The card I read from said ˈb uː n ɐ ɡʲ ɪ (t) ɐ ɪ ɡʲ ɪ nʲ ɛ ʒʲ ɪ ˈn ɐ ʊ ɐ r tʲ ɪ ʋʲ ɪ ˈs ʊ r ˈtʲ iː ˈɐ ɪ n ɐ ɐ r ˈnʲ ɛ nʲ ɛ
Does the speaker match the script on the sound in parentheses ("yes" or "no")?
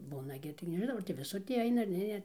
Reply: yes